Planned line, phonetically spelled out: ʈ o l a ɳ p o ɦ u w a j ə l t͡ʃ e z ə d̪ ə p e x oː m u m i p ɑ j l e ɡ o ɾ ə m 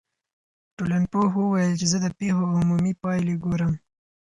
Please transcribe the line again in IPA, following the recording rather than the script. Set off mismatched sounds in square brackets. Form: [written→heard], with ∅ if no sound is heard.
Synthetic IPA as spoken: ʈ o l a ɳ p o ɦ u w a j ə l t͡ʃ e z ə d̪ ə p e x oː m u m i p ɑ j l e ɡ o ɾ ə m